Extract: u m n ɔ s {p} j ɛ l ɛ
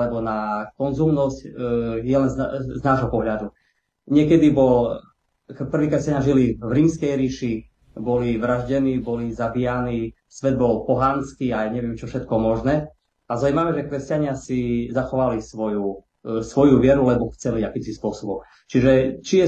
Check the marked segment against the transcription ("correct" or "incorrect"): incorrect